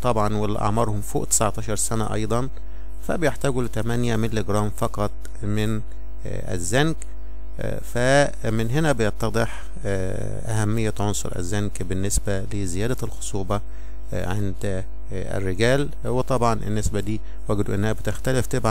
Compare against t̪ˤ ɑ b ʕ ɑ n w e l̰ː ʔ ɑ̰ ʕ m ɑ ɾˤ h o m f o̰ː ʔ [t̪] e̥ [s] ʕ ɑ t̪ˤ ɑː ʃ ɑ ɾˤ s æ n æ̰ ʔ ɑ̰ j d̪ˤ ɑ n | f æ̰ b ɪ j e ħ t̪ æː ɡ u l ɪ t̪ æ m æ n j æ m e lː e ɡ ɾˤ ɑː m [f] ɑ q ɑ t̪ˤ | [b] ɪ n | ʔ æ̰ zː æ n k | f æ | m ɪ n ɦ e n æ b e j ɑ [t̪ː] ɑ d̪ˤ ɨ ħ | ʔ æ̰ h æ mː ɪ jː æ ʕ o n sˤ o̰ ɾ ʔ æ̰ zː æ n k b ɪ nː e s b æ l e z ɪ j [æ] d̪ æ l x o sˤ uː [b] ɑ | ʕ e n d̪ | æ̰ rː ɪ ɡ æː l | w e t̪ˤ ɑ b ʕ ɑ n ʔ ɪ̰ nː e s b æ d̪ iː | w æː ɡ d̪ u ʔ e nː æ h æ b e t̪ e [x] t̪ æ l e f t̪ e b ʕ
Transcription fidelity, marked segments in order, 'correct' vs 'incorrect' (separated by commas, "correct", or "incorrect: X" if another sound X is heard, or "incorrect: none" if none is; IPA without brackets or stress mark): correct, correct, correct, incorrect: m, correct, incorrect: æː, correct, correct